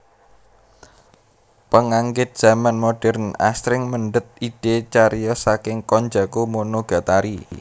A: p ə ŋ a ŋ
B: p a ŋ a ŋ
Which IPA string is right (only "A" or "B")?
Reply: A